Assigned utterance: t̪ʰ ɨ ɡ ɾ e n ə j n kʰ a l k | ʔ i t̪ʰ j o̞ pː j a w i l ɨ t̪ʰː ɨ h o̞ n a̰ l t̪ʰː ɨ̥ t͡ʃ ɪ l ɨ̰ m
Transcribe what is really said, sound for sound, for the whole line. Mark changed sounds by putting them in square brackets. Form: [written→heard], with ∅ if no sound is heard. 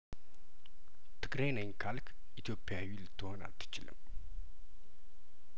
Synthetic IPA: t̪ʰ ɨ ɡ ɾ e n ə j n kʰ a l k | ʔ i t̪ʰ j o̞ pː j a w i l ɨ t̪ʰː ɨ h o̞ n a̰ l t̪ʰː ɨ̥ t͡ʃ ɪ l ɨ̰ m